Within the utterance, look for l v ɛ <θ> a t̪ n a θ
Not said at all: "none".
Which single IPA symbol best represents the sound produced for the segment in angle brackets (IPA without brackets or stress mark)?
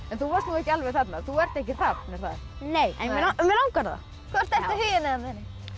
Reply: θ